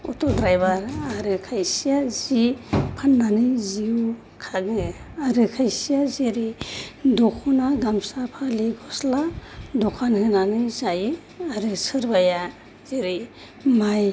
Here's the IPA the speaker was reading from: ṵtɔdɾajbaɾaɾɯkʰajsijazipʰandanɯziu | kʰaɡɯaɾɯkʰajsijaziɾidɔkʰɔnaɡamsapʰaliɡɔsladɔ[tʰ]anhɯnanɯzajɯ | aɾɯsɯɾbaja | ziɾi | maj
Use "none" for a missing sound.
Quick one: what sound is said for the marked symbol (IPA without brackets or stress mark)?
kʰ